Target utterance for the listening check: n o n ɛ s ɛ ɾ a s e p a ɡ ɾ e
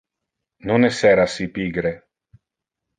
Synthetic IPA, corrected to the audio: n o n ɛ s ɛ ɾ a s i p i ɡ ɾ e